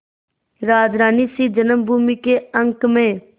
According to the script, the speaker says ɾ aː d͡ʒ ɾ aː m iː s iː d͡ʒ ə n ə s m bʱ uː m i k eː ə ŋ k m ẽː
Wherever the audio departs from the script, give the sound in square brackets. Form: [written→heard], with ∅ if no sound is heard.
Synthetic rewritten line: ɾ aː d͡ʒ ɾ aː [m→n] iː s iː d͡ʒ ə n ə [s→∅] m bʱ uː m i k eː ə ŋ k m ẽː

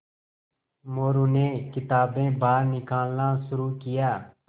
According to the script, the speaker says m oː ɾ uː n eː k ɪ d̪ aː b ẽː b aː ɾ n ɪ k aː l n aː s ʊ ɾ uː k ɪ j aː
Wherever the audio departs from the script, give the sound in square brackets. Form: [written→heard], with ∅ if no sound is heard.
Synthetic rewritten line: m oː ɾ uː n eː k ɪ [d̪→t̪] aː b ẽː b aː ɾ n ɪ k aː l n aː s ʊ ɾ uː k ɪ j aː

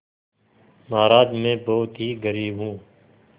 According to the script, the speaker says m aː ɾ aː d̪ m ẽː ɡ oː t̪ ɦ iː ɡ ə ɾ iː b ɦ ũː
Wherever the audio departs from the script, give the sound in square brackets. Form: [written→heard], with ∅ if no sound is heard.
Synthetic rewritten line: m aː ɾ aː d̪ m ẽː [ɡ→b] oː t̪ ɦ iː ɡ ə ɾ iː b ɦ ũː

